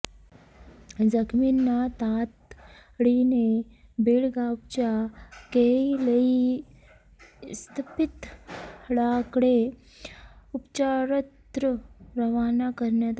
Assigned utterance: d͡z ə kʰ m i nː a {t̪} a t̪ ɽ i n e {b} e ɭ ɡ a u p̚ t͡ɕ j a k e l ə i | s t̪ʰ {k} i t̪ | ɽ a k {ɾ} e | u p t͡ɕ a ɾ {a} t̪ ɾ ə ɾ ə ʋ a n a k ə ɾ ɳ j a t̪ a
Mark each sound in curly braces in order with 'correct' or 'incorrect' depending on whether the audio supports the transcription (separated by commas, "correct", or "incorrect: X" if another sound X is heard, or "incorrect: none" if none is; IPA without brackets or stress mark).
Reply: correct, correct, incorrect: p, incorrect: ɽ, incorrect: ə